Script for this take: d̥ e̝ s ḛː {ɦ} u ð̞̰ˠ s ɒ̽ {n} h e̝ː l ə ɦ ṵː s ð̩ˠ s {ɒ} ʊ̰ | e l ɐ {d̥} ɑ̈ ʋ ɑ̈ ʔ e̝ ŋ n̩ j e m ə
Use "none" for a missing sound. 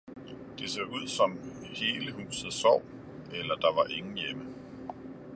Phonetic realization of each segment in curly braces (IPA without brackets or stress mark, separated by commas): none, m, ɒ, d̥